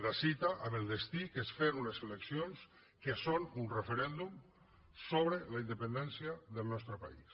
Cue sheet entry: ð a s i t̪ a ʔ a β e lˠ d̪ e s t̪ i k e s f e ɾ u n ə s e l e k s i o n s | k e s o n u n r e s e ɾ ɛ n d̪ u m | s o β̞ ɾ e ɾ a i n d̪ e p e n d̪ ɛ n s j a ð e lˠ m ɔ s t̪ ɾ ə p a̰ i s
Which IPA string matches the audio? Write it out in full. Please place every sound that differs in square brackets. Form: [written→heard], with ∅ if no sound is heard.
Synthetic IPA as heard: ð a s i t̪ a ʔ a β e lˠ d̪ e s t̪ i k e s f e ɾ u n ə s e l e k s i o n s | k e s o n u n r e [s→f] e ɾ ɛ n d̪ u m | s o β̞ ɾ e [ɾ→l] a i n d̪ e p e n d̪ ɛ n s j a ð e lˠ [m→n] ɔ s t̪ ɾ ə p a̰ i s